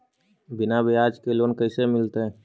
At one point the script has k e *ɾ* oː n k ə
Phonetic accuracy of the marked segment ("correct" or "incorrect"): incorrect